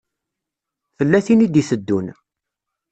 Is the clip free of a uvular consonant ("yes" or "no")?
yes